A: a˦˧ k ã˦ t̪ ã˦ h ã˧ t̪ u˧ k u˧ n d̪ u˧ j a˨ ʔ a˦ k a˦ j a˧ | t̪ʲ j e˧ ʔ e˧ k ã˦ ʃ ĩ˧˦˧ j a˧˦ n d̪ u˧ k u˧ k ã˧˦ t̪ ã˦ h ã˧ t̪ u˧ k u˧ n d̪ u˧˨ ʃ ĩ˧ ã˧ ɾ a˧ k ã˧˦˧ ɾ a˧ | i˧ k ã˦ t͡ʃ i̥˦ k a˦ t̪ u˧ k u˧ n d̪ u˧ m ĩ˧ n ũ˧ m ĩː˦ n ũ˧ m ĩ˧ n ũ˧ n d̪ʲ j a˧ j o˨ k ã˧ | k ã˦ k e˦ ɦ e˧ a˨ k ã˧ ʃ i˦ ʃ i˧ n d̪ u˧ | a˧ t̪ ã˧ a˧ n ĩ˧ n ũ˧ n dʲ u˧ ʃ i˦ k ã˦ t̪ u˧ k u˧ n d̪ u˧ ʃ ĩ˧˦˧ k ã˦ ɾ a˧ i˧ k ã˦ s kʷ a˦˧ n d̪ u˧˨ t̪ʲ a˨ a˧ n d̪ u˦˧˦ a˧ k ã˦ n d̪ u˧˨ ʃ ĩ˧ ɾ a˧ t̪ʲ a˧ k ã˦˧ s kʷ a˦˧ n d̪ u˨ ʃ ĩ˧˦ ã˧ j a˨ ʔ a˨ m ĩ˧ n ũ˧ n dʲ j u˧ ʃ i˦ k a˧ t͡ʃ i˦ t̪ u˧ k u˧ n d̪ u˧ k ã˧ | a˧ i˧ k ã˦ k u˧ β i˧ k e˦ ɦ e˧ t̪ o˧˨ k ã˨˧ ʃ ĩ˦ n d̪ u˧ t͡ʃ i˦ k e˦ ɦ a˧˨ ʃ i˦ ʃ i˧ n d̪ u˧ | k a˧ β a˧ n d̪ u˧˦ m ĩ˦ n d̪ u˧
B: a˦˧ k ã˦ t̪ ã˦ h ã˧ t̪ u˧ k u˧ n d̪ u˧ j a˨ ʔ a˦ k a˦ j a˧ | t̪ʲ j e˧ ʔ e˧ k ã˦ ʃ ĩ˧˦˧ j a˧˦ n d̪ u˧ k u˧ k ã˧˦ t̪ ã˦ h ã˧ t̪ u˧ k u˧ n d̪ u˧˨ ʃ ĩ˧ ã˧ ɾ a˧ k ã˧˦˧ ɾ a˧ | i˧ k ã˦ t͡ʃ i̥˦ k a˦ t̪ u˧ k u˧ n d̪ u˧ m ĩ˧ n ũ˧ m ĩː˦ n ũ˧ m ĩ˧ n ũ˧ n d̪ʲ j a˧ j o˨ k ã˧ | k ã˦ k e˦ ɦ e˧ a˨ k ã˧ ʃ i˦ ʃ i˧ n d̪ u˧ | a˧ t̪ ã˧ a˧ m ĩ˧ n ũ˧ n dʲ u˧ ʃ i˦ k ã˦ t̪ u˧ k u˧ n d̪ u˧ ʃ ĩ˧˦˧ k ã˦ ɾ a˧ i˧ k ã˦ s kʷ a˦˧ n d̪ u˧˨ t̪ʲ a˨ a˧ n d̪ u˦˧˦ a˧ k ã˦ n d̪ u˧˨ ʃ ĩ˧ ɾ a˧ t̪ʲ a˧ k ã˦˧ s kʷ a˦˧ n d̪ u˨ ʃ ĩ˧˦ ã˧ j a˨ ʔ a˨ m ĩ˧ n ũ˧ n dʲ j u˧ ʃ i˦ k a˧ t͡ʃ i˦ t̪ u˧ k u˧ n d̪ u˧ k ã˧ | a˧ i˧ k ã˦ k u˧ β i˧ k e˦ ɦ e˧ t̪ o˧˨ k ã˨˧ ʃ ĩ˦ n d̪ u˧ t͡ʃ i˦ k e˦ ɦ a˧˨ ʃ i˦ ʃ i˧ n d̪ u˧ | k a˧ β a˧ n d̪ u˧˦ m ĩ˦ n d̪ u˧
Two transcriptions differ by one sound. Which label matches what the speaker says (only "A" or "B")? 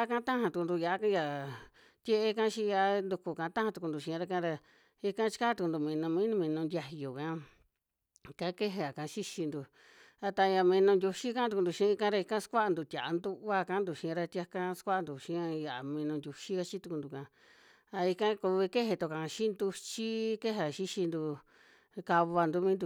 B